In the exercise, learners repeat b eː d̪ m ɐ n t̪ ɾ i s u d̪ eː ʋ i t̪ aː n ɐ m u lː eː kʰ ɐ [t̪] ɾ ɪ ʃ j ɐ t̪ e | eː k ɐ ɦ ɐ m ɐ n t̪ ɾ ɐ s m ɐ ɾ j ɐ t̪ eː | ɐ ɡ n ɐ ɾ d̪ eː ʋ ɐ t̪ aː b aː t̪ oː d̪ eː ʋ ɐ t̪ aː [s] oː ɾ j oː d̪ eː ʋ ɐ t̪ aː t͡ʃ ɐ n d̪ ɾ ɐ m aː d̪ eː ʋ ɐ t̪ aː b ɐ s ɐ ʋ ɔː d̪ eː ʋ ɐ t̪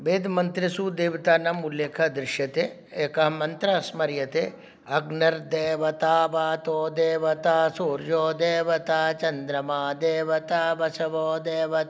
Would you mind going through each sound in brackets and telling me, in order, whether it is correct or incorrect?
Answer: incorrect, correct

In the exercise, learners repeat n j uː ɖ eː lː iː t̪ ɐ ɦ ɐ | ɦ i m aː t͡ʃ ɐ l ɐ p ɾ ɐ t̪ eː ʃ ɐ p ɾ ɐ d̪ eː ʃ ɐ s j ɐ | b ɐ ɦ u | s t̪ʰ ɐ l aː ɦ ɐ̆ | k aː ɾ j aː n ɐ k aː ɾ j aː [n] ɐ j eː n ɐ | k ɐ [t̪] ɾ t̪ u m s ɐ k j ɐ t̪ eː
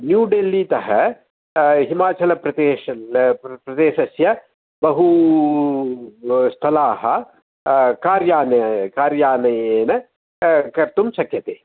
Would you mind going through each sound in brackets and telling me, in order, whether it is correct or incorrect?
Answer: correct, incorrect

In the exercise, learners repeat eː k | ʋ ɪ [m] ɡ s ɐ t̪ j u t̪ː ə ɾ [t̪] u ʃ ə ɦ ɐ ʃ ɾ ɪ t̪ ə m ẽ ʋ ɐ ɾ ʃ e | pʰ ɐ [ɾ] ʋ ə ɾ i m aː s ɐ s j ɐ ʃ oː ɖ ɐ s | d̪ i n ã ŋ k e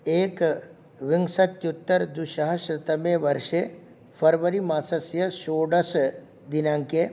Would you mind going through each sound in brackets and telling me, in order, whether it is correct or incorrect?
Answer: incorrect, incorrect, correct

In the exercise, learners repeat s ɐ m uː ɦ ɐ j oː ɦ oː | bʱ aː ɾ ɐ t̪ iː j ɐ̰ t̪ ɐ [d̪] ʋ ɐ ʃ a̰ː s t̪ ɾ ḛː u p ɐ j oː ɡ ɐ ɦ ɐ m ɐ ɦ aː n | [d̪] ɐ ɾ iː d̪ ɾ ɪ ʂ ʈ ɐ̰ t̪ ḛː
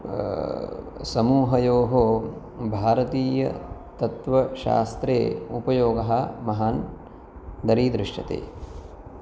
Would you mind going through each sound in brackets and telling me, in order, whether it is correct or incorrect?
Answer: incorrect, correct

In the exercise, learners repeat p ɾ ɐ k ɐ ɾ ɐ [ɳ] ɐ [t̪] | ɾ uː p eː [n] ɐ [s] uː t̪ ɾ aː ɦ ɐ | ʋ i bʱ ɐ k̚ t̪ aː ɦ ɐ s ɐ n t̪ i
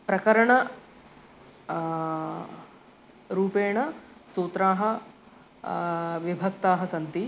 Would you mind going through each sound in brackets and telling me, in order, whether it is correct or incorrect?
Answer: correct, incorrect, incorrect, correct

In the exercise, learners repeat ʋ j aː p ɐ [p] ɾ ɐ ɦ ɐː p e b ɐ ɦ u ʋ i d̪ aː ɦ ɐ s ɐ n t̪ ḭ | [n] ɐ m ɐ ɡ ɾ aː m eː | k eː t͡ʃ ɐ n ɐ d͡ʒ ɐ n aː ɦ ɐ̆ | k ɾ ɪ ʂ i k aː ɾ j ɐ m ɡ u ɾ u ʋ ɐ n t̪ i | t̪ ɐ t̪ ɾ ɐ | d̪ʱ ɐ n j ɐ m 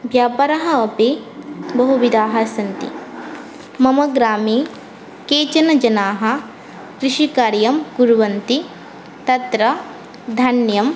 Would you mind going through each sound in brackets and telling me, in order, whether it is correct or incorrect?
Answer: incorrect, incorrect

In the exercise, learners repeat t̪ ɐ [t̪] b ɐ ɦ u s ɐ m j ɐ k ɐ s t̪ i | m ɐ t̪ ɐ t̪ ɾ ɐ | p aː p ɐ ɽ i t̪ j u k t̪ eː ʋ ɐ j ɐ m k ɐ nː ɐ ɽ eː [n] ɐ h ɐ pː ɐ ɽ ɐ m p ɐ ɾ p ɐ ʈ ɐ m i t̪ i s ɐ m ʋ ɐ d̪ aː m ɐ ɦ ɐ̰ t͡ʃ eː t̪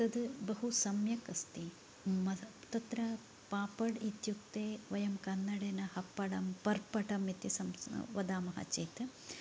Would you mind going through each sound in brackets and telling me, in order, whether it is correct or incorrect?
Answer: incorrect, correct

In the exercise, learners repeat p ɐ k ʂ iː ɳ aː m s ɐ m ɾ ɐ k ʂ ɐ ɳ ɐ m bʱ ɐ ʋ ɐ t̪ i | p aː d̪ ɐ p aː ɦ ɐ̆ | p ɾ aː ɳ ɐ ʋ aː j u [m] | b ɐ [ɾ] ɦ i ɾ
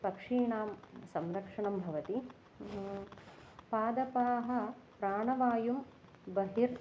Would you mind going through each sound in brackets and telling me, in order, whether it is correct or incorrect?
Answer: correct, incorrect

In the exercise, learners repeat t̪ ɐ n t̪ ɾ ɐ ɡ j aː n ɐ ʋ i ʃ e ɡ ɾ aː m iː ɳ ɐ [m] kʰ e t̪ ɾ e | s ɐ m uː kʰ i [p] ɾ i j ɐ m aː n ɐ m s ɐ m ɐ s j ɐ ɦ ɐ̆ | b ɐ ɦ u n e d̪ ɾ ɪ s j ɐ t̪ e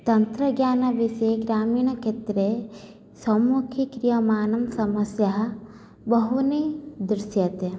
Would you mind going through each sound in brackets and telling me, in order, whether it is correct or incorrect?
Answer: incorrect, incorrect

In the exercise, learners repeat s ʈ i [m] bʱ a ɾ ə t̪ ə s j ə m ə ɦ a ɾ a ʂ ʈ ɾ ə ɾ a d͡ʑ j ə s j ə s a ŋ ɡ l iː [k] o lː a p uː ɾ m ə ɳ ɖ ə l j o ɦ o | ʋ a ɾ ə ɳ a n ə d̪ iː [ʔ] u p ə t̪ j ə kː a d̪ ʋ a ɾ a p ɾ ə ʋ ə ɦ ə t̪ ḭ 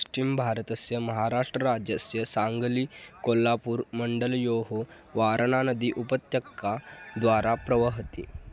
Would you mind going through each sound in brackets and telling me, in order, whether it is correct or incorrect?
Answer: correct, correct, correct

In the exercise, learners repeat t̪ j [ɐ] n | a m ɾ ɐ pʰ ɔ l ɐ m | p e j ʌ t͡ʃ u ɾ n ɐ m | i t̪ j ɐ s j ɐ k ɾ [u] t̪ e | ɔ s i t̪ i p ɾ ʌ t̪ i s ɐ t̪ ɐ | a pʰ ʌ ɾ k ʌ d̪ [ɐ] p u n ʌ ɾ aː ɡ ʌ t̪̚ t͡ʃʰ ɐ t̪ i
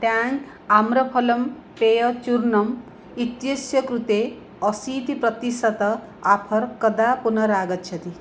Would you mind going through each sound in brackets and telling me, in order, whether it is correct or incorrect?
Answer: incorrect, correct, incorrect

